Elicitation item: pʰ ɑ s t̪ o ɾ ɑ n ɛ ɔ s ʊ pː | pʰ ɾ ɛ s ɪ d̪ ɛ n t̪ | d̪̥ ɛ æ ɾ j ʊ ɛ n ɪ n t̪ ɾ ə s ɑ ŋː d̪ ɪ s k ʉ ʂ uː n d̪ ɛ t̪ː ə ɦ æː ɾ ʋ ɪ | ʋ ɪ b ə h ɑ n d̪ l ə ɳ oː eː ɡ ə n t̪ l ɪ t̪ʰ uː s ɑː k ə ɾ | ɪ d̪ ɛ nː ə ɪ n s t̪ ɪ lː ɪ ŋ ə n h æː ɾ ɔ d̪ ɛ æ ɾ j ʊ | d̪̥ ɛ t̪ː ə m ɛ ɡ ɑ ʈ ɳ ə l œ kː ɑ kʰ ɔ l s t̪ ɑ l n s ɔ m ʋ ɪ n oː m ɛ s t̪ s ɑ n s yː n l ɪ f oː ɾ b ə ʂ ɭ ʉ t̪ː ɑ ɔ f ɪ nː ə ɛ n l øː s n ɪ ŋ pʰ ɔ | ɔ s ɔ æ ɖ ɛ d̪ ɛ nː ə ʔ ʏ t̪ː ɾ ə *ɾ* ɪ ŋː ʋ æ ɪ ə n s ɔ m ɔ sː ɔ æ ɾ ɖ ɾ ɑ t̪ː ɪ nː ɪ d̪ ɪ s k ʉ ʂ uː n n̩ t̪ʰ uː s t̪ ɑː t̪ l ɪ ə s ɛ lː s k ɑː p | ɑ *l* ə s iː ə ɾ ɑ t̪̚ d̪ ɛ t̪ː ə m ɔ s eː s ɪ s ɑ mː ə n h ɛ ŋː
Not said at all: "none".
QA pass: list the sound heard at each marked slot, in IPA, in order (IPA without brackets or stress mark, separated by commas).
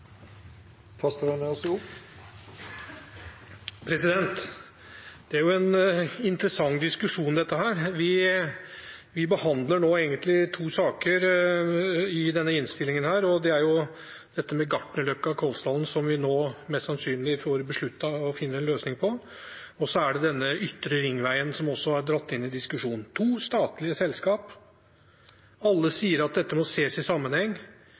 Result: ɾ, lː